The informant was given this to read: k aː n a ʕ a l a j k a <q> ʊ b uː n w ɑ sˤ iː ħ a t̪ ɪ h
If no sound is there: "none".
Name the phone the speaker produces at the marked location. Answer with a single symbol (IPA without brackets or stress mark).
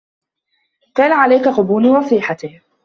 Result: q